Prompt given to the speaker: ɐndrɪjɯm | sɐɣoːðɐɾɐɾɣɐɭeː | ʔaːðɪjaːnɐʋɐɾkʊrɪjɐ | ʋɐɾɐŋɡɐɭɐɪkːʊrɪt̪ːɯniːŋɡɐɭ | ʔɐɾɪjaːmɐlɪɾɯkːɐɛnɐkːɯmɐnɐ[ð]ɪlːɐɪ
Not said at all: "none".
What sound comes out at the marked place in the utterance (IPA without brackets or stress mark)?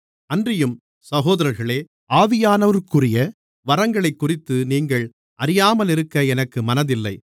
ð